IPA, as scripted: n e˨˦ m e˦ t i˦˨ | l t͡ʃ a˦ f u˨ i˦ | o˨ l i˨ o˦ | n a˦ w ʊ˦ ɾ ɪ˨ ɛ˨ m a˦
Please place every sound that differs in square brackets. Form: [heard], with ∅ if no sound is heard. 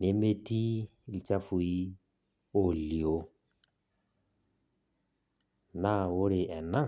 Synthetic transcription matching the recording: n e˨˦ m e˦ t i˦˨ | l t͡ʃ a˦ f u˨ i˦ | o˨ l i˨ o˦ | n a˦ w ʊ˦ ɾ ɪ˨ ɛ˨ [n] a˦